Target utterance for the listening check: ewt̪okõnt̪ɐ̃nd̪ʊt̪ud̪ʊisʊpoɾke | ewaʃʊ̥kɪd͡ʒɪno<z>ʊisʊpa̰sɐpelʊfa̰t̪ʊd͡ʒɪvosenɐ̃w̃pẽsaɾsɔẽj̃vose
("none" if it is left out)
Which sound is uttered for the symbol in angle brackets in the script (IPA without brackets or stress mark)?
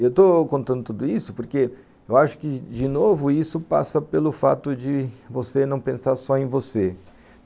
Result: v